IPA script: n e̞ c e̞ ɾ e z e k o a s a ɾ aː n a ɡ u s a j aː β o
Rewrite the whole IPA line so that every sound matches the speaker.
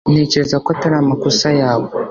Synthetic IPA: n e̞ c e̞ ɾ e z a k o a t a ɾ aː m a k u s a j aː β o